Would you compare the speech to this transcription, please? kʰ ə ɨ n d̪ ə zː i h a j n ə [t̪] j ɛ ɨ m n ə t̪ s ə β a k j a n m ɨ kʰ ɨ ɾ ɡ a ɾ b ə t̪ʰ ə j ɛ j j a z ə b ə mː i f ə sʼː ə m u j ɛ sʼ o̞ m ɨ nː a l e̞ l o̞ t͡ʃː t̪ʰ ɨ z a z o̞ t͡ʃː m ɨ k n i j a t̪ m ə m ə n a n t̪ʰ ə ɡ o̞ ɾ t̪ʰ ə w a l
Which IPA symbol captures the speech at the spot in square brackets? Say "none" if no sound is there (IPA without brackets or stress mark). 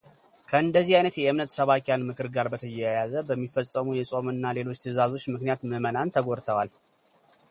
t̪